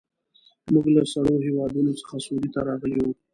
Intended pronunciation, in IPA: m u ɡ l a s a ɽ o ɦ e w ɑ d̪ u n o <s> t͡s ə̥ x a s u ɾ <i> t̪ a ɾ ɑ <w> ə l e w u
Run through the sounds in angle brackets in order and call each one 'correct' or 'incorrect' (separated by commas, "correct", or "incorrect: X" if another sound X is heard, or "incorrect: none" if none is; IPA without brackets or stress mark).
incorrect: none, correct, incorrect: ɣ